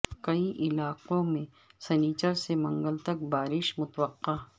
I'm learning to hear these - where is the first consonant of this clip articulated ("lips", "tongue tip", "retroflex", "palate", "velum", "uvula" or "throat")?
velum